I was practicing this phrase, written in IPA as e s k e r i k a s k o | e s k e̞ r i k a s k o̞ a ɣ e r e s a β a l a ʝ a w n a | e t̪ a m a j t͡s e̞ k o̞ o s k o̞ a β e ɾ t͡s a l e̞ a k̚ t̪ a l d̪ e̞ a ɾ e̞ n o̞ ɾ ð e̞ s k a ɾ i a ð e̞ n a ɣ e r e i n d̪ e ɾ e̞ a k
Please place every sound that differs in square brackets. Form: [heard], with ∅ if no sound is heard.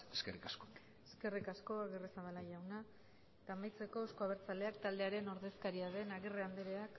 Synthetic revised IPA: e s k e r i k a s k o | e s k e̞ r i k a s k o̞ a ɣ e r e s a β a l a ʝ a w n a | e t̪ a m a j t͡s e̞ k o̞ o s k o̞ a β e ɾ t͡s a l e̞ a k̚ t̪ a l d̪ e̞ a ɾ e̞ n o̞ ɾ ð e̞ s k a ɾ i a ð e̞ n a ɣ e r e [a] n d̪ e ɾ e̞ a k